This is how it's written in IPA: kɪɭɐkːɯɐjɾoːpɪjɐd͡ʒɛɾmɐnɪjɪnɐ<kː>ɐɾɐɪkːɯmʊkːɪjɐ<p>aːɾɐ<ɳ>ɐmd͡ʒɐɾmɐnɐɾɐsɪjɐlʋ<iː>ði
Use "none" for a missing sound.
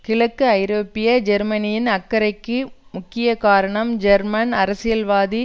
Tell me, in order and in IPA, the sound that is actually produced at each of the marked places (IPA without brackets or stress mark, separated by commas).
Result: kː, k, ɳ, aː